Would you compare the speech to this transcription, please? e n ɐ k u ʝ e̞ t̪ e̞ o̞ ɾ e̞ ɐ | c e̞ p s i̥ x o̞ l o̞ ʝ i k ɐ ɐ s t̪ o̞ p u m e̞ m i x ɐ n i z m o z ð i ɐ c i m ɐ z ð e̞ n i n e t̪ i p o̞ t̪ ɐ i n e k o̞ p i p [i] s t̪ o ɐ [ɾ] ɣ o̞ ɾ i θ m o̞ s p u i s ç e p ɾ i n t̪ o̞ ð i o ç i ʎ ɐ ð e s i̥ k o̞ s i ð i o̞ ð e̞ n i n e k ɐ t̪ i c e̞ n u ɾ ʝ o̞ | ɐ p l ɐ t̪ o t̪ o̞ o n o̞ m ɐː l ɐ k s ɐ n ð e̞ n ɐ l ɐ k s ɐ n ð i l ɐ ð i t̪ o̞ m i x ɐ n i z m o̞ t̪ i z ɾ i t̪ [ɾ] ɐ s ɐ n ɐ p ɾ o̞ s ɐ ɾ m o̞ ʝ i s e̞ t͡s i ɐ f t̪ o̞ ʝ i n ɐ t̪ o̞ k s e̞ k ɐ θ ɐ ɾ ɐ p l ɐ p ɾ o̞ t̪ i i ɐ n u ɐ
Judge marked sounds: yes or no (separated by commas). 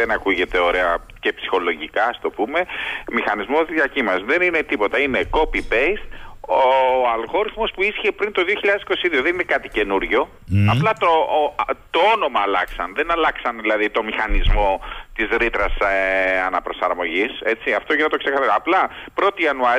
no, no, yes